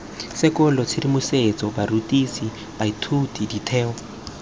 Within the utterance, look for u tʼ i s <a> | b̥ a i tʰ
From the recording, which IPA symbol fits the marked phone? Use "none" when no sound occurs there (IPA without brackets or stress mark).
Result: i